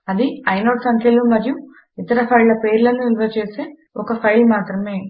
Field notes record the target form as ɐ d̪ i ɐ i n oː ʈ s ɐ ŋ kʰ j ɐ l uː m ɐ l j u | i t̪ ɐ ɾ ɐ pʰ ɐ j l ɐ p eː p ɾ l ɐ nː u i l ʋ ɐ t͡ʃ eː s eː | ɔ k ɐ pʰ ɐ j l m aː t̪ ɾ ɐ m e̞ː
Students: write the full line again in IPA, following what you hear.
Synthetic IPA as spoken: ɐ d̪ i ɐ j n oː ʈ s ɐ ŋ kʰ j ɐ l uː m ɐ ɾ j u | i t̪ ɐ ɾ ɐ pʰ ɐ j l ɐ p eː ɾ l ɐ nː u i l ʋ ɐ t͡ʃ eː s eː | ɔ k ɐ pʰ ɐ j l m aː t̪ ɾ ɐ m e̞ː